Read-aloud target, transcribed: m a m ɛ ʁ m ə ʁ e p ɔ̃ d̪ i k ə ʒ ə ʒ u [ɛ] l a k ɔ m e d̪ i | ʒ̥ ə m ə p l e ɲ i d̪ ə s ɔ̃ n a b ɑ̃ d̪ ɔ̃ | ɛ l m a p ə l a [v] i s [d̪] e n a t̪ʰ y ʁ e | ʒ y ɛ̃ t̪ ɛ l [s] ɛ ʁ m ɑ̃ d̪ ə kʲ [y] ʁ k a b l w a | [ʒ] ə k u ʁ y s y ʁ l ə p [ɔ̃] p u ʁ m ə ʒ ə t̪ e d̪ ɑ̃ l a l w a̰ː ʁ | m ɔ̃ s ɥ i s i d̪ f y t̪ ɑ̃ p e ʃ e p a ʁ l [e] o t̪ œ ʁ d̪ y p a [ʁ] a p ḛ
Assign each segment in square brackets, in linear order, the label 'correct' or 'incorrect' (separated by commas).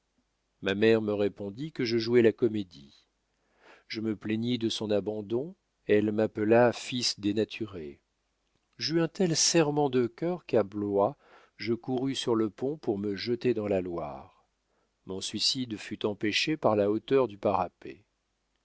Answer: correct, incorrect, correct, correct, incorrect, correct, correct, incorrect, correct